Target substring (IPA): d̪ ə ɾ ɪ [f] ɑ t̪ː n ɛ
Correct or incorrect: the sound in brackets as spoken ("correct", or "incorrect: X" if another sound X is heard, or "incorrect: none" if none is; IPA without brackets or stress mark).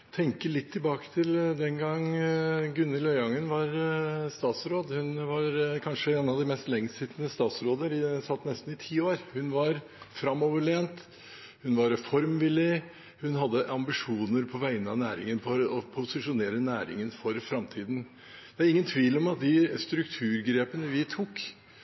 incorrect: s